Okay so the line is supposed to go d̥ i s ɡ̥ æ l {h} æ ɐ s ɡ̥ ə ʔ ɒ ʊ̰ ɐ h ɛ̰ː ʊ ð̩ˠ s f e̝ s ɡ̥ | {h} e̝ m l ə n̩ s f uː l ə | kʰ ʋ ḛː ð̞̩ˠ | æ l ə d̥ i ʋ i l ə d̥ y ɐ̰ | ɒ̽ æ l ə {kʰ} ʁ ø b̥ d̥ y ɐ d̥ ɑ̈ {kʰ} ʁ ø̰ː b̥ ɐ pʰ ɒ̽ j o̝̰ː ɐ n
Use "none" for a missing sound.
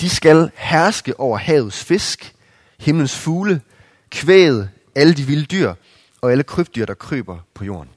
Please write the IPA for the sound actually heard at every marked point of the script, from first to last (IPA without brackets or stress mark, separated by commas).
h, h, kʰ, kʰ